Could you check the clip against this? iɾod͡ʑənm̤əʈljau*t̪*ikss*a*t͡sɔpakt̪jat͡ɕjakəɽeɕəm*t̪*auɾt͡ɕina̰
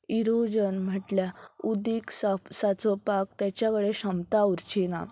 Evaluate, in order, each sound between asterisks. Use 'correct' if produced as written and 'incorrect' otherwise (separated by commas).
incorrect, correct, correct